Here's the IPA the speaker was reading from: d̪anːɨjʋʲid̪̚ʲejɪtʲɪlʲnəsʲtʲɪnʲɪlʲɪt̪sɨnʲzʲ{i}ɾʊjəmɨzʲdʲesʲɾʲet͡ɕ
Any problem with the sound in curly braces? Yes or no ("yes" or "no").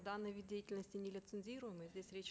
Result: no